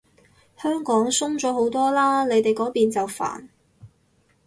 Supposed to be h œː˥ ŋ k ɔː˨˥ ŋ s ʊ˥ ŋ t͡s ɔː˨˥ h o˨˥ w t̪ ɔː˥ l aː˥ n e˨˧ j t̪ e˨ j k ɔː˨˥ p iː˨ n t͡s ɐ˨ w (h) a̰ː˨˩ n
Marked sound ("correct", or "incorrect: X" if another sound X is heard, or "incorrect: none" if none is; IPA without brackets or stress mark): incorrect: f